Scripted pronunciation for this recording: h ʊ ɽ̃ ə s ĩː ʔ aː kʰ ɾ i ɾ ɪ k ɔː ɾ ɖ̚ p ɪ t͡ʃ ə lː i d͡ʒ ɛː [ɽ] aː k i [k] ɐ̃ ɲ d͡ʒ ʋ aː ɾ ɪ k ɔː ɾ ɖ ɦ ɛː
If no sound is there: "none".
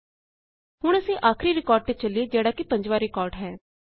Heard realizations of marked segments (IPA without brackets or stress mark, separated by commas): ɽ, p